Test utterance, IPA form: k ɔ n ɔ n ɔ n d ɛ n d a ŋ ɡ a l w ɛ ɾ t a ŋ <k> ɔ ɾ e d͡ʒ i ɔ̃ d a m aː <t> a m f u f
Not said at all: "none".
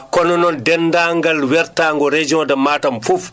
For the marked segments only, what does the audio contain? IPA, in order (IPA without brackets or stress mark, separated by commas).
ɡ, t